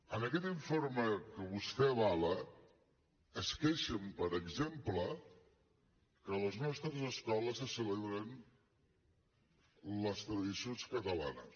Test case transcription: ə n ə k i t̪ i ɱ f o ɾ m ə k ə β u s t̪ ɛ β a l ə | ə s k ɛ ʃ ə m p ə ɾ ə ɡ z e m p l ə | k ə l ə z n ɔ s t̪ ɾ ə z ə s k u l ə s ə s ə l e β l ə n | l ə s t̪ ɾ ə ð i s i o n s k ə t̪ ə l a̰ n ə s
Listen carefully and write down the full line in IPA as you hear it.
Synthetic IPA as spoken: ə n ə k ɛ t̪ i ɱ f o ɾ m ə k ə β u s t̪ ɛ β a l ə | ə s k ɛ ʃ ə m p ə ɾ ə ɡ z e m p l ə | k ə l ə z n ɔ s t̪ ɾ ə z ə s k ɔ l ə s ə s ə l e β ɾ ə n | l ə s t̪ ɾ ə ð i s i o n s k ə t̪ ə l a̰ n ə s